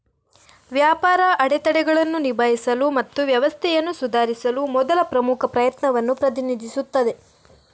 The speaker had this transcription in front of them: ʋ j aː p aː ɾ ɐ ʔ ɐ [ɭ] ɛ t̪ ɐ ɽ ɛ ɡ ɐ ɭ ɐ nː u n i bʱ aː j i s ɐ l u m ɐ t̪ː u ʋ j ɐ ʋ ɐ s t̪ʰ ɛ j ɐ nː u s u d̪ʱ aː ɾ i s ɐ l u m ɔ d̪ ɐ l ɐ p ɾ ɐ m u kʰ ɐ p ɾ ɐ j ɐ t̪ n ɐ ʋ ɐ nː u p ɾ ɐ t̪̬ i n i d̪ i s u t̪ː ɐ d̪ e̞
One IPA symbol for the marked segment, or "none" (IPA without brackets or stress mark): ɽ